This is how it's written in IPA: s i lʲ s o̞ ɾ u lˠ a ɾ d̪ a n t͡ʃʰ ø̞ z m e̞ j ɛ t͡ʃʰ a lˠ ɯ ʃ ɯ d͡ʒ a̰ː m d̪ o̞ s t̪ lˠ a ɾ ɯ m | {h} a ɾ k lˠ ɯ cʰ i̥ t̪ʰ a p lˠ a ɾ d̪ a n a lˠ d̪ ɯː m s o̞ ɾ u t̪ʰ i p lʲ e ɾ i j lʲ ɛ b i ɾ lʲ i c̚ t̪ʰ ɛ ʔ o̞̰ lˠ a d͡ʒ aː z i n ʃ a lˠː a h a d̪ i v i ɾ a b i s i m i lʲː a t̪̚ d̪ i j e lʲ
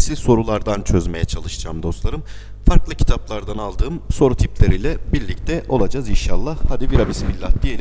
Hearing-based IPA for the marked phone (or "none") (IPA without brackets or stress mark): f